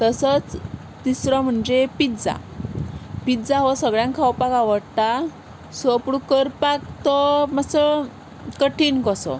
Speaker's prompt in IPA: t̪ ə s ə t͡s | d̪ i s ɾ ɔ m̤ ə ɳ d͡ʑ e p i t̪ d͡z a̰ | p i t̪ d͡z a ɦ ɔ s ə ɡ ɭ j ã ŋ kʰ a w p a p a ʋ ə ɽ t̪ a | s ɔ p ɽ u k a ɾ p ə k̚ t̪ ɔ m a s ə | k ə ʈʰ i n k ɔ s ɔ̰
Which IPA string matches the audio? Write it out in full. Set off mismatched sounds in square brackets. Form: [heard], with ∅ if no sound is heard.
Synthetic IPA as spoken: t̪ ə s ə t͡s | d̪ i s ɾ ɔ m̤ ə ɳ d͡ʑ e p i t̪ d͡z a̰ | p i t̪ d͡z a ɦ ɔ s ə ɡ ɭ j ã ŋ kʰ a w p a [k] a ʋ ə ɽ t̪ a | s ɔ p ɽ u k [ə] ɾ p [a] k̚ t̪ ɔ m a s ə | k ə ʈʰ i n k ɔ s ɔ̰